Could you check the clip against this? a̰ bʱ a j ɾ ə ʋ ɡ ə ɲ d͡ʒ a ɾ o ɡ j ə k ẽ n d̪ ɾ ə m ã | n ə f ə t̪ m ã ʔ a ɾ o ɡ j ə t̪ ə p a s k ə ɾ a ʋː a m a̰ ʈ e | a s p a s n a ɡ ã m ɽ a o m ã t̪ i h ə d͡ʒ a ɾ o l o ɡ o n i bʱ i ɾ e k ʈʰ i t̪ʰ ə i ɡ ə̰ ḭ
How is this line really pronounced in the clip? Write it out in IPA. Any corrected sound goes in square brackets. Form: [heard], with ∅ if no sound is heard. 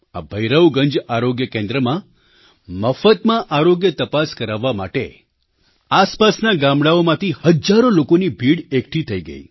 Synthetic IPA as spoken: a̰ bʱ [ə] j ɾ ə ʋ ɡ ə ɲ d͡ʒ a ɾ o ɡ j ə k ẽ n d̪ ɾ ə m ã | [m] ə f ə t̪ m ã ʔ a ɾ o ɡ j ə t̪ ə p a s k ə ɾ a ʋː a m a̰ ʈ e | a s p a s n a ɡ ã m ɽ a o m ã t̪ i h ə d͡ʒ a ɾ o l o [k] o n i bʱ i [ɽ] e k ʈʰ i t̪ʰ ə i ɡ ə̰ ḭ